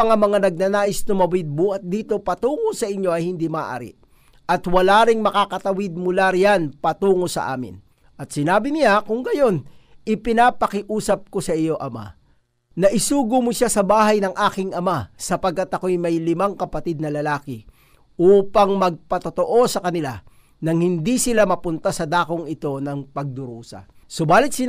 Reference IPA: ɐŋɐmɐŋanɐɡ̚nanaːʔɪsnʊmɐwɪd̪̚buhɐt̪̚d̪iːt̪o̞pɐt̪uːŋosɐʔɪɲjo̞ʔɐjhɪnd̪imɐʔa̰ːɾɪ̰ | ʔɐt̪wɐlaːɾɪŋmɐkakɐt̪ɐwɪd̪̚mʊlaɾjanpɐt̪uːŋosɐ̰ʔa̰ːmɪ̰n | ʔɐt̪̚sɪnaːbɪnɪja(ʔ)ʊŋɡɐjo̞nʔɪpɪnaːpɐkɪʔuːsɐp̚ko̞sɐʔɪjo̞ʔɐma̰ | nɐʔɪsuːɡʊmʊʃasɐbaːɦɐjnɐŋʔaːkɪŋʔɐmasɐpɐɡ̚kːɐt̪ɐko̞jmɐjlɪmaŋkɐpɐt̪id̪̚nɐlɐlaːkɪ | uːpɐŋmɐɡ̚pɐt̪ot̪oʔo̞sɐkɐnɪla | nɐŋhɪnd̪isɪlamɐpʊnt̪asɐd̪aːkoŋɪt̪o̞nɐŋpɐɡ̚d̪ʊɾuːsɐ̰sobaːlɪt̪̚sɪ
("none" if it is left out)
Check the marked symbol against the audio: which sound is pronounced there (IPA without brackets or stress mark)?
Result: k